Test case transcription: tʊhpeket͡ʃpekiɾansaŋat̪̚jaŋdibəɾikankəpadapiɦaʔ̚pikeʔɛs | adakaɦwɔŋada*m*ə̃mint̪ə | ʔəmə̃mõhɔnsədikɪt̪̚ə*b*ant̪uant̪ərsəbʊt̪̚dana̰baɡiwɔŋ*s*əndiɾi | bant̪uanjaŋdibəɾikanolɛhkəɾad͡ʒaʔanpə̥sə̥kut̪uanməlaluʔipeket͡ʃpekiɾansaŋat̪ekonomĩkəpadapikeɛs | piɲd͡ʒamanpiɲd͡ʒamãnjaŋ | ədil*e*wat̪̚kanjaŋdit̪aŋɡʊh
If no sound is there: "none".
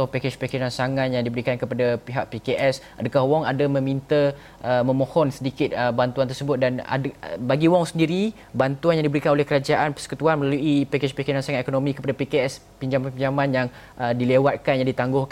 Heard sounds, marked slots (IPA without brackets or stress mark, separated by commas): m, b, s, e